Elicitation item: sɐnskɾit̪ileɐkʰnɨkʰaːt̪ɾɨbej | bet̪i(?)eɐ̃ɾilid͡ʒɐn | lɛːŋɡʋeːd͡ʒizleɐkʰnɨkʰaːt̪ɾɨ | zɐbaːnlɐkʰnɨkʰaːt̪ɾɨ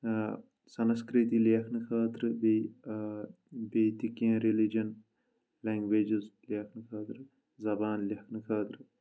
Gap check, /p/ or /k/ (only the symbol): k